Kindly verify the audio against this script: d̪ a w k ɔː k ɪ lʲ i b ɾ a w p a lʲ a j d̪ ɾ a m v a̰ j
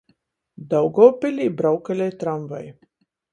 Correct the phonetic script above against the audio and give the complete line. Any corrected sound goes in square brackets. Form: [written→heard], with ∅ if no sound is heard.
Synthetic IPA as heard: d̪ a w [k→ɡ] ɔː [k→p] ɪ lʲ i b ɾ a w [p→k] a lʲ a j [d̪→t̪] ɾ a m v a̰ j